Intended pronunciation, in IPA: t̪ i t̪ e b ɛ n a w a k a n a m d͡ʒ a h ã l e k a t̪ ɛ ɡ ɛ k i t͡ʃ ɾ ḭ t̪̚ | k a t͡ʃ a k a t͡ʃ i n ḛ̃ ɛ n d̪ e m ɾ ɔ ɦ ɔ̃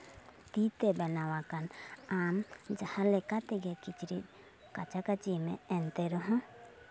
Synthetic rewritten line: t̪ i t̪ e b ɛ n a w a k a n a m d͡ʒ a h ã l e k a t̪ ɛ ɡ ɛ k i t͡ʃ ɾ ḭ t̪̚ | k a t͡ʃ a k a t͡ʃ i m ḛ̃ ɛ n t̪ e ɾ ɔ ɦ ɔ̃